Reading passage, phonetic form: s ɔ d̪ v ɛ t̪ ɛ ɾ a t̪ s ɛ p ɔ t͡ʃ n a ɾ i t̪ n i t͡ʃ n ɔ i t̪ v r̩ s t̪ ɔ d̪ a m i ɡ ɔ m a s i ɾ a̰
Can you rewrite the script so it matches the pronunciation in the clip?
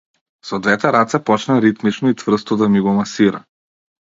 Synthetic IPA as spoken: s ɔ d̪ v ɛ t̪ ɛ ɾ a t̪ s ɛ p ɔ t͡ʃ n a ɾ i t̪ m i t͡ʃ n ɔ i t̪ v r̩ s t̪ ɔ d̪ a m i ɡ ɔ m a s i ɾ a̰